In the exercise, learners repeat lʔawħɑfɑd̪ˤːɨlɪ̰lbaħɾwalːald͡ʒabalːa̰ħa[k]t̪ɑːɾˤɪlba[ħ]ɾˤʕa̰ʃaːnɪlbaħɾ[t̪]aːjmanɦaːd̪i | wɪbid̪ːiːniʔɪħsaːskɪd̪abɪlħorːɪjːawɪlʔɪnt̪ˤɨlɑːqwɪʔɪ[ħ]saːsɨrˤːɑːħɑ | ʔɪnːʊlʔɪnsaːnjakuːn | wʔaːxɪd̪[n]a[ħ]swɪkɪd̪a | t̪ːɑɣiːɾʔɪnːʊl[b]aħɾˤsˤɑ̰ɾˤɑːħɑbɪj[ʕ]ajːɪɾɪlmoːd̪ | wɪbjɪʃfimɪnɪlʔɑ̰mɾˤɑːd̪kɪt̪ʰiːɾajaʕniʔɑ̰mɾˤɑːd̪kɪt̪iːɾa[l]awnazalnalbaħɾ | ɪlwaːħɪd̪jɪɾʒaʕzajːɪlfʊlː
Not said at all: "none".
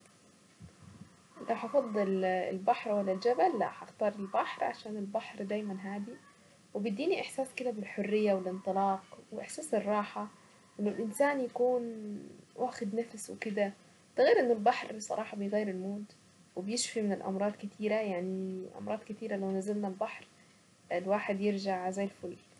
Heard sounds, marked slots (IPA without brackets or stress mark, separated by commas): x, ħ, d̪, ħ, n, f, b, ɣ, l